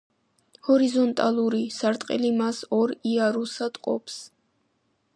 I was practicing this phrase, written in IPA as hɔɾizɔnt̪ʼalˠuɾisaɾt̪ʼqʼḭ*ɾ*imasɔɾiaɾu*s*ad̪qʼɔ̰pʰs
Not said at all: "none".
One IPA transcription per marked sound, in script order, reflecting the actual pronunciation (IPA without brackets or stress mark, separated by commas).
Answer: l, s